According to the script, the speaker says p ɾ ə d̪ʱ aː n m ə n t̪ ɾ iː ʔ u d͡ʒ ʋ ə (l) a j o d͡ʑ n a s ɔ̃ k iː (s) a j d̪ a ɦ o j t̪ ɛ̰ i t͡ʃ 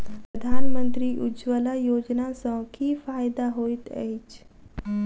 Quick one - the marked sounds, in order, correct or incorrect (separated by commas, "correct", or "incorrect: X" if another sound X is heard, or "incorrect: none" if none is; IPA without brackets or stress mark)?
correct, incorrect: f